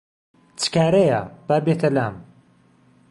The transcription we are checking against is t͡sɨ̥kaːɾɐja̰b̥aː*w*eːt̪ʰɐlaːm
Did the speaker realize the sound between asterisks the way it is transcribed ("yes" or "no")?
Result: no